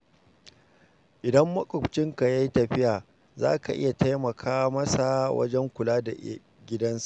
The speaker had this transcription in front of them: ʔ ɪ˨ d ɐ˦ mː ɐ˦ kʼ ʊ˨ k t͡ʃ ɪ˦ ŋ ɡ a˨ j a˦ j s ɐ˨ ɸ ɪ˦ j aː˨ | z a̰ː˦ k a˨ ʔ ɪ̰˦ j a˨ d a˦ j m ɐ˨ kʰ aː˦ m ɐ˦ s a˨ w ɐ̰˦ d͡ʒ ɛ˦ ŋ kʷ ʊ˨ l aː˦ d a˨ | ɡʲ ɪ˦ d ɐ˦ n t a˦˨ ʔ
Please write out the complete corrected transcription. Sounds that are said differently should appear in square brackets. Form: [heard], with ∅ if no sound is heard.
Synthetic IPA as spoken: ʔ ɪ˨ d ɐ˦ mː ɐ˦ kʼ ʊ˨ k t͡ʃ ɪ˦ ŋ [k] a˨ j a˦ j [t] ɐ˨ ɸ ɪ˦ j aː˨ | z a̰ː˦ k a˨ ʔ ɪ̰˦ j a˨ [t] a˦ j m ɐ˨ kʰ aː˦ m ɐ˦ s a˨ w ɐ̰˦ d͡ʒ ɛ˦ ŋ kʷ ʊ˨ l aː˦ d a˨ | ɡʲ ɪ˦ d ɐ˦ n [s] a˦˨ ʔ